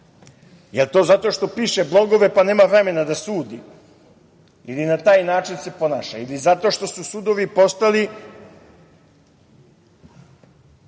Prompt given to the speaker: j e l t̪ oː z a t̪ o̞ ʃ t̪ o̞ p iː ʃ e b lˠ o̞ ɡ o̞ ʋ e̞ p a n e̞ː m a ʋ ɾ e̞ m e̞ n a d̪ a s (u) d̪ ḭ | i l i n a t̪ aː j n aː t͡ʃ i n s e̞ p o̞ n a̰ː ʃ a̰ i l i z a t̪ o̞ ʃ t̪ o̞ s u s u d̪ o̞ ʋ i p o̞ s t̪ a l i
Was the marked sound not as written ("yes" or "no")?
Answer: yes